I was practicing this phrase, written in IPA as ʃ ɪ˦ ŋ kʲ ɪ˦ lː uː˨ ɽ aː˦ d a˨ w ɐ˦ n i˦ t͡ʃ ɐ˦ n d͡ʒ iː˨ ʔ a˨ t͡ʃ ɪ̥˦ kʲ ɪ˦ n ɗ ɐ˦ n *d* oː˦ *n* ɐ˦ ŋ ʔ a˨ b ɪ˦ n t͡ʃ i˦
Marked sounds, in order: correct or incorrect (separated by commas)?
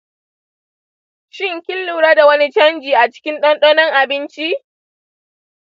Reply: incorrect, correct